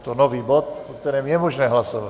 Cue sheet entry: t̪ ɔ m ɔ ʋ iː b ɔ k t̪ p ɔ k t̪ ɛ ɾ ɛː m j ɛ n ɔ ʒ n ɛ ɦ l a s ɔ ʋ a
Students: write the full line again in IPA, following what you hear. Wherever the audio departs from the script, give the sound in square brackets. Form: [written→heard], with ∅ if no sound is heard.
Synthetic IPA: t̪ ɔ [m→n] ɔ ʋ iː b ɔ [k→∅] t̪ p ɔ k t̪ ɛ ɾ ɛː m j ɛ [n→m] ɔ ʒ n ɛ ɦ l a s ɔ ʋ a